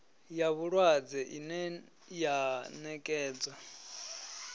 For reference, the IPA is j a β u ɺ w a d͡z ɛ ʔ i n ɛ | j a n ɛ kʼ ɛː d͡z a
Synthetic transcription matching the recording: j a β u ɺ w a d͡z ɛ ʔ i n ɛ | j a n ɛ kʼ ɛː d͡z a